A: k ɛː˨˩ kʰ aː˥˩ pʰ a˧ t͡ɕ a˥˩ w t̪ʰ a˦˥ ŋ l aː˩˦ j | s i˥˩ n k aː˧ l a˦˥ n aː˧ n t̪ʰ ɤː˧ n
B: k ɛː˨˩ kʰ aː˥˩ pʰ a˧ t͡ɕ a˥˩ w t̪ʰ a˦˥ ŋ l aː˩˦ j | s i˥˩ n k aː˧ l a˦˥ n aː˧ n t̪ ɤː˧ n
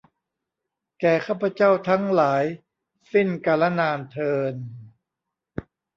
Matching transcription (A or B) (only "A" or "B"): A